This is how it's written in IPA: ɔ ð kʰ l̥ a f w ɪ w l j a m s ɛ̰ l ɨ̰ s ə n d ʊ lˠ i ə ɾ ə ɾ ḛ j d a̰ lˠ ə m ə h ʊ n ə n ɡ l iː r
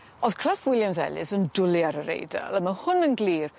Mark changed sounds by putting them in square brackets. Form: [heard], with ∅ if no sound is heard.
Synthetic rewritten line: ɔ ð kʰ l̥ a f w ɪ [∅] l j a m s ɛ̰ l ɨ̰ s ə n d ʊ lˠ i [a] ɾ ə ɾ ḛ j d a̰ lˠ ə m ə h ʊ n ə n ɡ l iː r

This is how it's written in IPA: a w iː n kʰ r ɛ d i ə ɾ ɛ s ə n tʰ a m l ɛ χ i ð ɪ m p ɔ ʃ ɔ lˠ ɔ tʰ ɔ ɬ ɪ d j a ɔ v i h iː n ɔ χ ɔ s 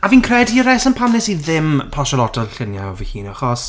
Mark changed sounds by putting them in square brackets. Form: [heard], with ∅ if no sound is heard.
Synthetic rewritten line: a [v] iː n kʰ r ɛ d i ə ɾ ɛ s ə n [pʰ] a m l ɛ [s] i ð ɪ m [pʰ] ɔ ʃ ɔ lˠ ɔ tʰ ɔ ɬ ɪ [n] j a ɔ v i h iː n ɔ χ ɔ s

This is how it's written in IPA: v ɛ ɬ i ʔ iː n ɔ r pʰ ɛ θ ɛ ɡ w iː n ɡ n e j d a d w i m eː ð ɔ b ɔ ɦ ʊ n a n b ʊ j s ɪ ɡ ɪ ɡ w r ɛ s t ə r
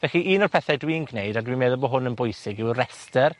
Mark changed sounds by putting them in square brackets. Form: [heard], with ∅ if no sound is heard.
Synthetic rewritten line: v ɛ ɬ i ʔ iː n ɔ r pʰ ɛ θ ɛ [d] w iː n ɡ n e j d a d w i m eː ð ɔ b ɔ ɦ ʊ n [ə] n b ʊ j s ɪ ɡ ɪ [∅] w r ɛ s t ə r

